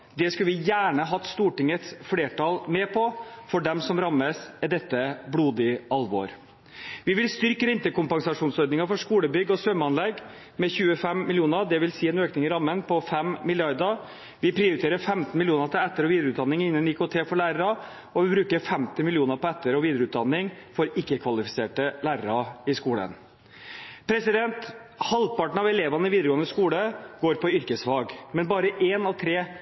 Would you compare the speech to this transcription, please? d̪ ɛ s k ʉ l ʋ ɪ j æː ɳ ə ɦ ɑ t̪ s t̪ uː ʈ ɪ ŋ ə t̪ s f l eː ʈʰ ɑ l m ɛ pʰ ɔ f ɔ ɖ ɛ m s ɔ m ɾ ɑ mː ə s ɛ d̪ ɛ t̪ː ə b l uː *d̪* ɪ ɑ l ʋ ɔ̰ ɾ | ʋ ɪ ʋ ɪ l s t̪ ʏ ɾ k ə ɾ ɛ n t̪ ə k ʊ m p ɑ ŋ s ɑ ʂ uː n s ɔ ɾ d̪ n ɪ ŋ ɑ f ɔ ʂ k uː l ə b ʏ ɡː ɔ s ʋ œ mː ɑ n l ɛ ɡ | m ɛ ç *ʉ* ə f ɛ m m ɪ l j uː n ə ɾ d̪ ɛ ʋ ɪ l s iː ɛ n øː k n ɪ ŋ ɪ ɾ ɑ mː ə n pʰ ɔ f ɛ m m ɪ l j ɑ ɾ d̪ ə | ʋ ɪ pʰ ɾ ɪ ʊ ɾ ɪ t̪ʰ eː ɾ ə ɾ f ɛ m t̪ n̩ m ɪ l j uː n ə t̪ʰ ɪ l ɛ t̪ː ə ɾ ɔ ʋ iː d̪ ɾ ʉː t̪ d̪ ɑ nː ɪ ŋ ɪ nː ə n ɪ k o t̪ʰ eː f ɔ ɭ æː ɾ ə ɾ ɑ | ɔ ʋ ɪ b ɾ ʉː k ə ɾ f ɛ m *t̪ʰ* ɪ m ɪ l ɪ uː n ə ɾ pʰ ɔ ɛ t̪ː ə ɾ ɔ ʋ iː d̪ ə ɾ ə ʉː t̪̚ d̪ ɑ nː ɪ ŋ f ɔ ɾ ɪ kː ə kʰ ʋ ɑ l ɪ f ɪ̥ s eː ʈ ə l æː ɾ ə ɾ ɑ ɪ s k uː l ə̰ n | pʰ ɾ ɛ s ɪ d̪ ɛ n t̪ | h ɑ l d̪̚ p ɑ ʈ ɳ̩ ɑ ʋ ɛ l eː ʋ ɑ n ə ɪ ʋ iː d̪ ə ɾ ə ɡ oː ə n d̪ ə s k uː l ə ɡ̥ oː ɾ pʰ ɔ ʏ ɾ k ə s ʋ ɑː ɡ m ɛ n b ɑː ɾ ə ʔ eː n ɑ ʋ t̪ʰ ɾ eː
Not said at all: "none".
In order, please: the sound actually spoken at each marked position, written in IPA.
d̪, ʉː, t̪

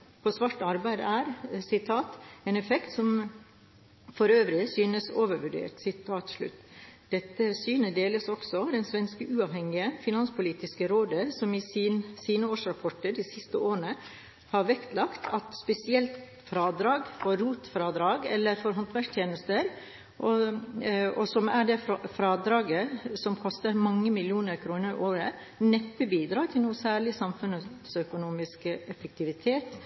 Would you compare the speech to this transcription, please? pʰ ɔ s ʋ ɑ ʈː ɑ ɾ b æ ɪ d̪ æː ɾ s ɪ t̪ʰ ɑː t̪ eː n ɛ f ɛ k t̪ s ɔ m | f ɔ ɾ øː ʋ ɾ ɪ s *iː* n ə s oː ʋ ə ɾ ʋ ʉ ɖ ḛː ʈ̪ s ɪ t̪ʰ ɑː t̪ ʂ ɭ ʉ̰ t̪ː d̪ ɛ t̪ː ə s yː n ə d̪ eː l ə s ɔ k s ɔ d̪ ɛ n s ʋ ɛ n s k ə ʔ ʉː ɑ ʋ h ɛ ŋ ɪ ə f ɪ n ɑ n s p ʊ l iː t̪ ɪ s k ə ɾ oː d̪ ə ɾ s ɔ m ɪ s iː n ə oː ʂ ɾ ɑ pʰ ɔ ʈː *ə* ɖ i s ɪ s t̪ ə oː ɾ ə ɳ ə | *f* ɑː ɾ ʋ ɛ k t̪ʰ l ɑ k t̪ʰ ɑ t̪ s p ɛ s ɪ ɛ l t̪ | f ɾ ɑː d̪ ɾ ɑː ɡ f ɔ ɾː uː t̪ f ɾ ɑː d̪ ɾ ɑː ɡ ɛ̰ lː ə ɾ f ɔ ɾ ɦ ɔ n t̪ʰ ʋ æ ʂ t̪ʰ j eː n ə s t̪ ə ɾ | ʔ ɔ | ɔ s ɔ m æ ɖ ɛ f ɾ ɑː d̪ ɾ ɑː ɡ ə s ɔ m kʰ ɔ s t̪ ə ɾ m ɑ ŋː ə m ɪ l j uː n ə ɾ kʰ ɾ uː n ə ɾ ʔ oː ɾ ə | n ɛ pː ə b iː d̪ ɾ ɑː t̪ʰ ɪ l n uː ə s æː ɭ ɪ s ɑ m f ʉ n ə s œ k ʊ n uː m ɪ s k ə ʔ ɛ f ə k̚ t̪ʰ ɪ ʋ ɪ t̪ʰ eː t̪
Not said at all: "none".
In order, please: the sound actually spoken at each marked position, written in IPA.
yː, ə, h

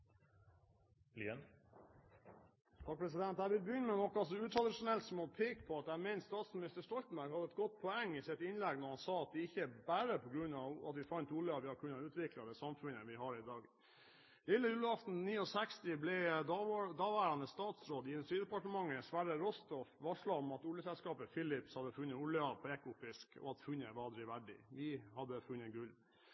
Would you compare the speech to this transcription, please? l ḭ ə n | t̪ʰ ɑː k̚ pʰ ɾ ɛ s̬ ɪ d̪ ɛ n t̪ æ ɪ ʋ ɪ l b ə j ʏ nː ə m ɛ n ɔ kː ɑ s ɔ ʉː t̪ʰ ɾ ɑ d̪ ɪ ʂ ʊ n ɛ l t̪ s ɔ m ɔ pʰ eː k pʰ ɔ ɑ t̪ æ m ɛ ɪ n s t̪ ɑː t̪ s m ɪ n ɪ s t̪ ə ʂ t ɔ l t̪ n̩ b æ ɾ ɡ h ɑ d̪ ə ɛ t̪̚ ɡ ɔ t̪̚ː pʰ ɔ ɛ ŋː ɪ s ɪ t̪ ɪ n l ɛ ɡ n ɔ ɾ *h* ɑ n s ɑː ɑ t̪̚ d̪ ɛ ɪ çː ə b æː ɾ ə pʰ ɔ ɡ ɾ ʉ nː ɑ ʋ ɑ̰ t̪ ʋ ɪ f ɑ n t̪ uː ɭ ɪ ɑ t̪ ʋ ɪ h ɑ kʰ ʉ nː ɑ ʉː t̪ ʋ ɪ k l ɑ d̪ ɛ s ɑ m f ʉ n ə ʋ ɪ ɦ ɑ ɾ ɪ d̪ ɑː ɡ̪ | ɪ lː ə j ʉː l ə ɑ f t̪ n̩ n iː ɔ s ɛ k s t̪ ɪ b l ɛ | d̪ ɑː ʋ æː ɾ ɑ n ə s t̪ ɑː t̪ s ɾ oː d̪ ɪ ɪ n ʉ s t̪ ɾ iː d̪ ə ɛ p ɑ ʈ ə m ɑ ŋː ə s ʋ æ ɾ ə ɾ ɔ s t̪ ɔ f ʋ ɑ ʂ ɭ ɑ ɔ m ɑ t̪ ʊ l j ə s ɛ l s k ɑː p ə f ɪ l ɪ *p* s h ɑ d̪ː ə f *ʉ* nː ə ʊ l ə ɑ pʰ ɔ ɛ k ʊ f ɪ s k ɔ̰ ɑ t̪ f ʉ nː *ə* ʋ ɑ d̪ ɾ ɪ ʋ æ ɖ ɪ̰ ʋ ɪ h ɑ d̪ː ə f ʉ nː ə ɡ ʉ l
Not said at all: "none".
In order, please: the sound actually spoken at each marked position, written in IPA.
h, p, ʉ, ə

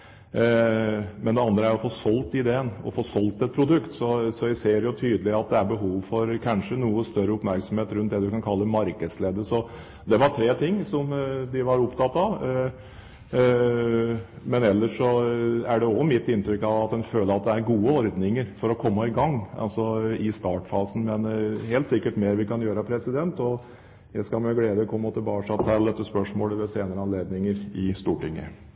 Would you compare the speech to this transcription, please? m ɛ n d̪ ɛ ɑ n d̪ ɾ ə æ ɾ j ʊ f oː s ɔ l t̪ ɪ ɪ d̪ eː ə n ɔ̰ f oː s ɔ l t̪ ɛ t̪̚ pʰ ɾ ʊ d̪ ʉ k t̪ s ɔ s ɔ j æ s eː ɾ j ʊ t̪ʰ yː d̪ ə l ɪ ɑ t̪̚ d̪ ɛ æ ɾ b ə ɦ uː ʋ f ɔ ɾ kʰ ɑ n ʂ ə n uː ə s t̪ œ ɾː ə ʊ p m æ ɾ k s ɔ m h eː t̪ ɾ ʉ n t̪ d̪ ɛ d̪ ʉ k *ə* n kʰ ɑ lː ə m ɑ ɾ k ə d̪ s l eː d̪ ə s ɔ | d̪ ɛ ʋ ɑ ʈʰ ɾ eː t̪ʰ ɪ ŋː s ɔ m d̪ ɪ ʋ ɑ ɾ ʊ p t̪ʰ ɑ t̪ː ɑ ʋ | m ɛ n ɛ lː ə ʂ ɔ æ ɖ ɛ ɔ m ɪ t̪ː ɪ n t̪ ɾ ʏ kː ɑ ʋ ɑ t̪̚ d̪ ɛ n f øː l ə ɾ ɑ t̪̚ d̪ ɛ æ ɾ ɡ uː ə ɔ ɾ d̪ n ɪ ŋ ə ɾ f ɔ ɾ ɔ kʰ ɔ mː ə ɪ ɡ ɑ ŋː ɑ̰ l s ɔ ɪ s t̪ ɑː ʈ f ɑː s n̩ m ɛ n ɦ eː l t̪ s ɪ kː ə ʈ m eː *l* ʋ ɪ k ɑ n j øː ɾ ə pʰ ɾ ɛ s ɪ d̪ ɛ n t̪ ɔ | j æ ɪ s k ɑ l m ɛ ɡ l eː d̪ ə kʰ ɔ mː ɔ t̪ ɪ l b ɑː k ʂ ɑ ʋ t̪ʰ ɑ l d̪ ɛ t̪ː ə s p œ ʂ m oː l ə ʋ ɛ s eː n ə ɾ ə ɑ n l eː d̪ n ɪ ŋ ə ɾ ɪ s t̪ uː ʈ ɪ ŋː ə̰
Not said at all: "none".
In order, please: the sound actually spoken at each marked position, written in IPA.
ɑ, ɾ

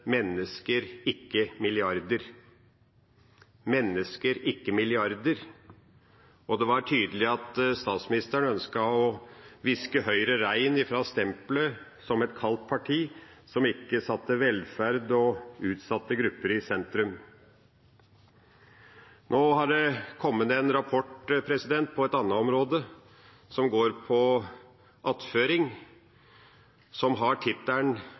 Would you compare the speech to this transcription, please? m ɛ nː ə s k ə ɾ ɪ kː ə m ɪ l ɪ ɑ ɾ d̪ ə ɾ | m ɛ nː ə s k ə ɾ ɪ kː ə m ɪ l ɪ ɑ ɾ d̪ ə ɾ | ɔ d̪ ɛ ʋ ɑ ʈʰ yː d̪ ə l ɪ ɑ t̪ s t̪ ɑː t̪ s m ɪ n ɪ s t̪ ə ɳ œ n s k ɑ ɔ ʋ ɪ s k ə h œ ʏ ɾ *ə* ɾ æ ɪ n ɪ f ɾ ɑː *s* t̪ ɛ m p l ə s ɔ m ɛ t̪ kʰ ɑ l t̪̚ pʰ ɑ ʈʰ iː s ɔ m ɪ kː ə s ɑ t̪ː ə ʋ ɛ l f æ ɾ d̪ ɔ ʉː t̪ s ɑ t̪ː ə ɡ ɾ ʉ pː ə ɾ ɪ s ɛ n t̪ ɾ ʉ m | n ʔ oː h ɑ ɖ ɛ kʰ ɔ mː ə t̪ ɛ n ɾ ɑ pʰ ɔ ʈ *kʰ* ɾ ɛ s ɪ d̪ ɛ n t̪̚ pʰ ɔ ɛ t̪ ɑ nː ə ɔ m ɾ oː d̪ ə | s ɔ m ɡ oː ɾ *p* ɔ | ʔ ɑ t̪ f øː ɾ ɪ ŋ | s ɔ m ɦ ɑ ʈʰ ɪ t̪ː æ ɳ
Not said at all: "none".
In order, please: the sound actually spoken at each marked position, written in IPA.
ə, s, pʰ, pʰ

